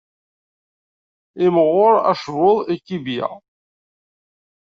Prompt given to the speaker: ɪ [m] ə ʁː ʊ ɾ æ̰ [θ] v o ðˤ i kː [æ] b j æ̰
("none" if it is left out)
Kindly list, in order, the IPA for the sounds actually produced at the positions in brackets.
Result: m, ʃ, i

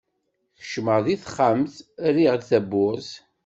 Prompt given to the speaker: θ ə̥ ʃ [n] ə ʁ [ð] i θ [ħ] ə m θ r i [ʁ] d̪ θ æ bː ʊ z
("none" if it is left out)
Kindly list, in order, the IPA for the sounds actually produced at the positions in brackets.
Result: m, ð, χ, ʁ

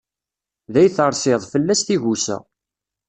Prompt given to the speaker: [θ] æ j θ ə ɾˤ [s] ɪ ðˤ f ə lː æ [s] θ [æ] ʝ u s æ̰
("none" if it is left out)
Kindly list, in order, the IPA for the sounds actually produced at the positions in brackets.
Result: ð, s, s, i

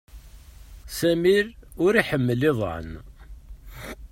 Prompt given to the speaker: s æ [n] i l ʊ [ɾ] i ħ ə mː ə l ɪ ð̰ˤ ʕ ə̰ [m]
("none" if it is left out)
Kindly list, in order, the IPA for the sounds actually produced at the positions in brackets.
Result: m, ɾ, n

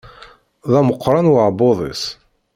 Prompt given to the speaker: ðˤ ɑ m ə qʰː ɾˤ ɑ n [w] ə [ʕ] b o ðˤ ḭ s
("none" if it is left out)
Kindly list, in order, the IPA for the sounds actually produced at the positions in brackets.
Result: w, ʕ

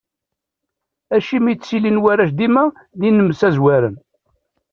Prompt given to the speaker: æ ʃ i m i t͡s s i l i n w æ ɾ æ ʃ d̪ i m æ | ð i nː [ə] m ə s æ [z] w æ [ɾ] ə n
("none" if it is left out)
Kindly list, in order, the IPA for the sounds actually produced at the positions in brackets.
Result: ə, z, ɾ

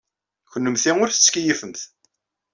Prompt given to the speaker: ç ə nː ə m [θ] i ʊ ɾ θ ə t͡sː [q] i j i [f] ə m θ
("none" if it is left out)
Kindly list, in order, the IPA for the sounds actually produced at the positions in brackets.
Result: θ, k, f

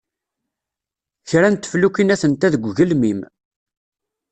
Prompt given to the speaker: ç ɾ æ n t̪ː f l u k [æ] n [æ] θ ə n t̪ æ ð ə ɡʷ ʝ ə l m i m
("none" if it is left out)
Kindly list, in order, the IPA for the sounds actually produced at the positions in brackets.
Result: i, æ

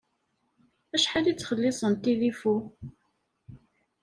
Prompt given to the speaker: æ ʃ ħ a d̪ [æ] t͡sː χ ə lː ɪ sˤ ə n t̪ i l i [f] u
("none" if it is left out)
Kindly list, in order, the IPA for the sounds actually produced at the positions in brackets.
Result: i, f

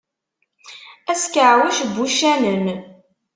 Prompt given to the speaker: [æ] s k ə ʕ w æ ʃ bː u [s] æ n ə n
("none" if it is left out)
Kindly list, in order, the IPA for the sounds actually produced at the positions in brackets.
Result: æ, ʃ

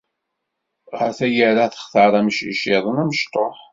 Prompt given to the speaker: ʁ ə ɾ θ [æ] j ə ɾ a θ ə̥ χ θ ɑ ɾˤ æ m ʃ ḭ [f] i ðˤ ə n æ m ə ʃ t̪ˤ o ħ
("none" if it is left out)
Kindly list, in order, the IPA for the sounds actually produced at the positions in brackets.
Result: æ, ʃ

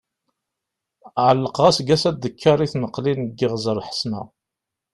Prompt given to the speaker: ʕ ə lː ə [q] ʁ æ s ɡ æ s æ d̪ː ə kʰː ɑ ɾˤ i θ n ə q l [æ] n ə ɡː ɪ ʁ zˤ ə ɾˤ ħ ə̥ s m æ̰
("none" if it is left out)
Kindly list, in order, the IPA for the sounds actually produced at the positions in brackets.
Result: q, i

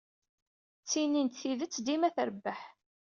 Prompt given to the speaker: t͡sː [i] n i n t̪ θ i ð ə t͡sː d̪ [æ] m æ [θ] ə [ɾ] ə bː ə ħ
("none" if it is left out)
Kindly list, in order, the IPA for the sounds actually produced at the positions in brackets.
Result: i, i, θ, ɾ

